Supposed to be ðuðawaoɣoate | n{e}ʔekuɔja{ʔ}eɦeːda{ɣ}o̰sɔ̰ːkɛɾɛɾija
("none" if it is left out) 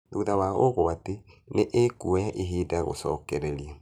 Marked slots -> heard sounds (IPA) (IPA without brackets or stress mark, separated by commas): e, ʔ, ɣ